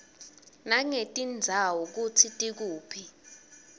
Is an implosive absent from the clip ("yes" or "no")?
yes